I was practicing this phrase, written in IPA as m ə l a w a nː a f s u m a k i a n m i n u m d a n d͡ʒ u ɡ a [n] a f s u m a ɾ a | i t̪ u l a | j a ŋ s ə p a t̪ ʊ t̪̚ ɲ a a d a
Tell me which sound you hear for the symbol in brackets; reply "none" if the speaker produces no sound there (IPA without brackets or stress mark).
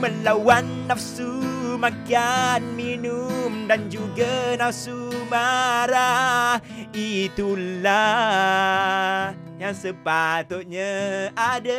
n